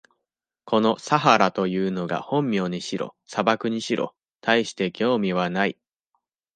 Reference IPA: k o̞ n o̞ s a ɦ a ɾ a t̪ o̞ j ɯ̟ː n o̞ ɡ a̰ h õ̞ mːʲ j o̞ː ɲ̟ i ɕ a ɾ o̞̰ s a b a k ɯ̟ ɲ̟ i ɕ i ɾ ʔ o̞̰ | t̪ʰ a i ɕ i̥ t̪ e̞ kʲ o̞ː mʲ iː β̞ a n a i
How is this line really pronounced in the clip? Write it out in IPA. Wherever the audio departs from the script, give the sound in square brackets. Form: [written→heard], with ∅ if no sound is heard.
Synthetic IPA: k o̞ n o̞ s a ɦ a ɾ a t̪ o̞ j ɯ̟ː n o̞ ɡ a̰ h õ̞ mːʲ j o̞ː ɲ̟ i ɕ [a→i] ɾ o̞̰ s a b a k ɯ̟ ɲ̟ i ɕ i ɾ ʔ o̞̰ | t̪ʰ a i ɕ i̥ t̪ e̞ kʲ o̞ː mʲ [iː→i] β̞ a n a i